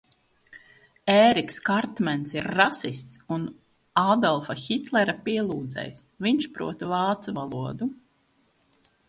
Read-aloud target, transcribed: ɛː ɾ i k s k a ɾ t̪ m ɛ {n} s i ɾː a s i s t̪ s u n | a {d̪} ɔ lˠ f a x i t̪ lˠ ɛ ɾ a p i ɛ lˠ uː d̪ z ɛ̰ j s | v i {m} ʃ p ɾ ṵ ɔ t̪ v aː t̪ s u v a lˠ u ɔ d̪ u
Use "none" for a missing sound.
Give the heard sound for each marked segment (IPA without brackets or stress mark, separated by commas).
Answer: n, d̪, ɲ